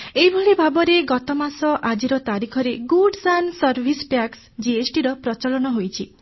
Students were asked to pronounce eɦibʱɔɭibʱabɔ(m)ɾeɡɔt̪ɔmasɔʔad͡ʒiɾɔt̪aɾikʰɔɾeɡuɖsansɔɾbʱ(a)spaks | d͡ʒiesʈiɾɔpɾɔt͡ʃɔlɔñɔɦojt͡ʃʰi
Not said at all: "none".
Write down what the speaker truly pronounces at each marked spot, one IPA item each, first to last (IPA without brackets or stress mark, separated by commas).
none, i